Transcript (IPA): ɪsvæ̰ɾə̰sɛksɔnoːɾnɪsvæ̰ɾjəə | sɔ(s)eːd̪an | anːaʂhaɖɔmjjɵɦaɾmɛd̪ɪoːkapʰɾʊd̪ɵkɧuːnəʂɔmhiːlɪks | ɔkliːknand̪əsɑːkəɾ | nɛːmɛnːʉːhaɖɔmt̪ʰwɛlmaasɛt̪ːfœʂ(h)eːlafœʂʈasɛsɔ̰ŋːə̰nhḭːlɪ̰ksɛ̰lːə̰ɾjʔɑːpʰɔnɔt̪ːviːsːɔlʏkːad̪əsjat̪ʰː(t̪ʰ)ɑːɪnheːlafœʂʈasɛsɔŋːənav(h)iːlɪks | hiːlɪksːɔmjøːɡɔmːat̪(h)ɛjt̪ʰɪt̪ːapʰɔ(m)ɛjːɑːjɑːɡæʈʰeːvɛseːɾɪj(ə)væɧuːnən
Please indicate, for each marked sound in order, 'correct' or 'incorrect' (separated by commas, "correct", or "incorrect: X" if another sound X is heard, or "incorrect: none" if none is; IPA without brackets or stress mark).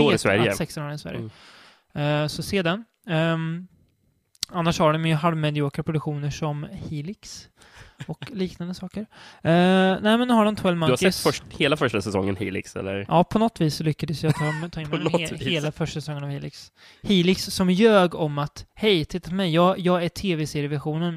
correct, correct, correct, correct, correct, correct, correct